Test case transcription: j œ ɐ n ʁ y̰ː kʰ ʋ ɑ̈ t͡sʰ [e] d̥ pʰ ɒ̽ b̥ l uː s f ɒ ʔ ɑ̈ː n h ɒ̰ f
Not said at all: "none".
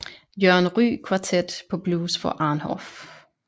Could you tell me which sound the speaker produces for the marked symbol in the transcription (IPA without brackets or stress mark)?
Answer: e